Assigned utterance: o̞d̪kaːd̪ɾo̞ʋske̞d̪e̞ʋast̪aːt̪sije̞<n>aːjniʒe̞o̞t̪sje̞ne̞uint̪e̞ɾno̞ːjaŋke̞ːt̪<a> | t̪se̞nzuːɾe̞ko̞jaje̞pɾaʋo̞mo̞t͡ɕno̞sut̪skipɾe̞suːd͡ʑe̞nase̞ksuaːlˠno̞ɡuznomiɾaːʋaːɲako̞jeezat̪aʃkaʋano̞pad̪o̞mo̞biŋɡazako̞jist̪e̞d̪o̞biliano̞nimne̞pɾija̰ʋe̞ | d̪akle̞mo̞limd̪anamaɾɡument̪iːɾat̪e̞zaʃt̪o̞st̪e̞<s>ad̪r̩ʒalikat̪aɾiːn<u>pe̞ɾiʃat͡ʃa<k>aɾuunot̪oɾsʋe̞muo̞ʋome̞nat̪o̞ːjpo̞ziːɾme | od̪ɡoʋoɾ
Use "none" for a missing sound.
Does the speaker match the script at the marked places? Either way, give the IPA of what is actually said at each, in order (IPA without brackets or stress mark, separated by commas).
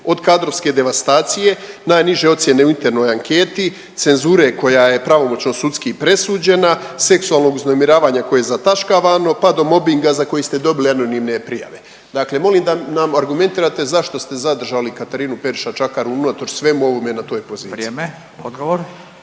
n, i, z, u, k